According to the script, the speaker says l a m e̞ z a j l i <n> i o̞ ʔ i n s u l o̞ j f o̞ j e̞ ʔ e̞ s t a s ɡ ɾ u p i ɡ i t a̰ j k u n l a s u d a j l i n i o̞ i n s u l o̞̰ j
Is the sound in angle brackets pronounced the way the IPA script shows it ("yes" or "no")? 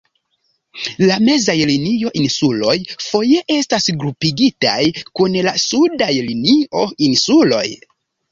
yes